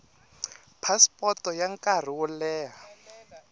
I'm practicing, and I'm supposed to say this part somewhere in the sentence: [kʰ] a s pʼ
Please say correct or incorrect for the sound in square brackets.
incorrect